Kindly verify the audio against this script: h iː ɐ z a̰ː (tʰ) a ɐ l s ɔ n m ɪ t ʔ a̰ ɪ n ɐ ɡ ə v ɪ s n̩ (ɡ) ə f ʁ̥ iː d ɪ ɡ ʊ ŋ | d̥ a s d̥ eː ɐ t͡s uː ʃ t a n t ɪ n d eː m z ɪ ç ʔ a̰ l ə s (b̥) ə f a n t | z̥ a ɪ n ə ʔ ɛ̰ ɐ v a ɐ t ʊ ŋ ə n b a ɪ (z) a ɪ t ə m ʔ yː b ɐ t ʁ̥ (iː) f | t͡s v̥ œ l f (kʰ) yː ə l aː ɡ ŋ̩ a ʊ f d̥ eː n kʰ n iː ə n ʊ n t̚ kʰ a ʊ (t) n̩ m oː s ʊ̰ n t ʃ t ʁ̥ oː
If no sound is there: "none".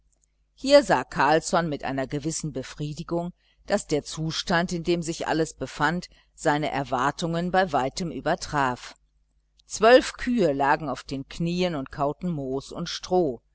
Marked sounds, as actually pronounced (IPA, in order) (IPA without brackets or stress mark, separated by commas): kʰ, b, b̥, v, aː, kʰ, t